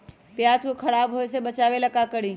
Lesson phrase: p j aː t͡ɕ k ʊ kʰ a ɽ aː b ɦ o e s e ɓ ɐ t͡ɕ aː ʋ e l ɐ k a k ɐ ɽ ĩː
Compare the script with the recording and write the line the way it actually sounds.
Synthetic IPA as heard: p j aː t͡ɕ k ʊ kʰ ɐ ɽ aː b ɦ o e s e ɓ ɐ t͡ɕ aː ʋ e l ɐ k a k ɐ ɽ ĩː